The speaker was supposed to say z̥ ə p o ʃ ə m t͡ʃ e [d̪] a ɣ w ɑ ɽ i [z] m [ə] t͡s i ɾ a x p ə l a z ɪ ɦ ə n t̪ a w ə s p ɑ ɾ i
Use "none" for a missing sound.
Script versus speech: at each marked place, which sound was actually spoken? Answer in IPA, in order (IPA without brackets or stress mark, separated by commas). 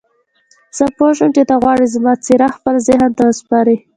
t̪, z, ɑ